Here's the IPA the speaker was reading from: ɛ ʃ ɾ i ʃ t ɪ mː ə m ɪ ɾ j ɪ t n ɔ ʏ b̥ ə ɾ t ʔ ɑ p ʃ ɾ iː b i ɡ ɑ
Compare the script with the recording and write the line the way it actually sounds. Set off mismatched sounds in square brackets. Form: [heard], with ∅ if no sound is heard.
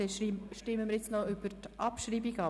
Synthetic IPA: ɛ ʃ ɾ i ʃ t ɪ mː ə m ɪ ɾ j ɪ [t͡s] n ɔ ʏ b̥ ə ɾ t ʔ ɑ p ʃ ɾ iː b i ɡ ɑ